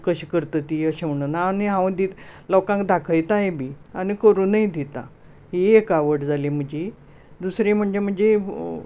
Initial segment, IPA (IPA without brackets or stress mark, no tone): k